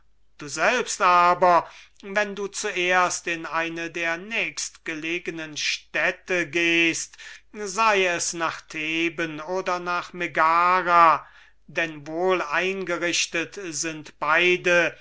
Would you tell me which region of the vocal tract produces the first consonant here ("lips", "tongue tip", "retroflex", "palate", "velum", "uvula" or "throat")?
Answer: tongue tip